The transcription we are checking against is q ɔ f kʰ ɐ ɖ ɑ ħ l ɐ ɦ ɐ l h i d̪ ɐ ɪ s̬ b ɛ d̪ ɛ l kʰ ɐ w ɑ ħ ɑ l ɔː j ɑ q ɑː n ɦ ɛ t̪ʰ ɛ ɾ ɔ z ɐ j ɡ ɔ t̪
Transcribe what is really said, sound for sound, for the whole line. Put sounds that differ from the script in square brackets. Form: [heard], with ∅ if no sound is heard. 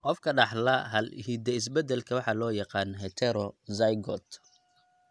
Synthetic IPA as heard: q ɔ f kʰ ɐ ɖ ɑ ħ l ɐ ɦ ɐ l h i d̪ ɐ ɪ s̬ b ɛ d̪ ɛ l kʰ ɐ w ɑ ħ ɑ l ɔː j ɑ q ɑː n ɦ ɛ t̪ʰ ɛ ɾ ɔ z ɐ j ɡ ɔ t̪